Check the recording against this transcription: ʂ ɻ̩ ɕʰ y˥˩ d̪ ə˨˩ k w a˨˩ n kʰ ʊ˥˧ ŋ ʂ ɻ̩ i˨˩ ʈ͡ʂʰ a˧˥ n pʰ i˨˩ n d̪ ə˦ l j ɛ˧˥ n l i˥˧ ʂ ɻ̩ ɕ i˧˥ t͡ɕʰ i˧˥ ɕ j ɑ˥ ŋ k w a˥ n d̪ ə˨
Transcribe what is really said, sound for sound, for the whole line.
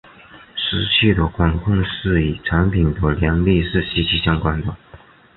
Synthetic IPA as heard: ʂ ɻ̩ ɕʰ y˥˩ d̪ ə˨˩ k w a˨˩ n kʰ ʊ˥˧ ŋ ʂ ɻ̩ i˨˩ ʈ͡ʂʰ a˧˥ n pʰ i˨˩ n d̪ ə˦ l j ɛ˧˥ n l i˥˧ ʂ ɻ̩ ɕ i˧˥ t͡ɕʰ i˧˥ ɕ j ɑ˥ ŋ k w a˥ n d̪ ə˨